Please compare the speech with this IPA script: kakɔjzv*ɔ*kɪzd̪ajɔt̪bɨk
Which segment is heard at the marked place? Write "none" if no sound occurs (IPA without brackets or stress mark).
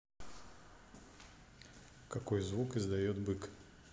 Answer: u